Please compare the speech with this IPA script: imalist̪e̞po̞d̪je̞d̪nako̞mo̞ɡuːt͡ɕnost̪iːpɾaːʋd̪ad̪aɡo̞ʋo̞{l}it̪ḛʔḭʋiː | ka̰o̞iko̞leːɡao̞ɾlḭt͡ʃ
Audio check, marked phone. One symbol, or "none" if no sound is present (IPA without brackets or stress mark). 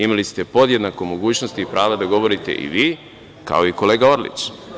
ɾ